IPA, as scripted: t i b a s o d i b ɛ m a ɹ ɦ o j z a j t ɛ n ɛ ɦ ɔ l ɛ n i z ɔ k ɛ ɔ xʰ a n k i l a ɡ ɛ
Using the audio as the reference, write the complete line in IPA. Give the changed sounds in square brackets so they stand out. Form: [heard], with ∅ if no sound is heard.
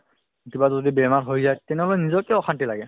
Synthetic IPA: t i b a [z] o d i b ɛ m a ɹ ɦ o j z a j t ɛ n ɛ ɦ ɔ l ɛ n i z ɔ k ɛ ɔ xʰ a n [t] i l a ɡ ɛ